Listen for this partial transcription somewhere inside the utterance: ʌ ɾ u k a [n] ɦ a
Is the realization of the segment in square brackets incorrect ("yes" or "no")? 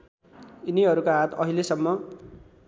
yes